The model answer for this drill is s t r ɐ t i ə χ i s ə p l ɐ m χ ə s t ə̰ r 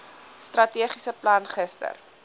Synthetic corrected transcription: s t r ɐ t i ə χ i s ə p l ɐ n χ ə s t ə̰ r